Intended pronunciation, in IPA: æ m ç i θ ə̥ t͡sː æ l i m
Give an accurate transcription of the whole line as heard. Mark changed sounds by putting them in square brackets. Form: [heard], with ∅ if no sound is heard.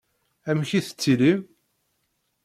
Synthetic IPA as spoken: æ m ç i θ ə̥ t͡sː [i] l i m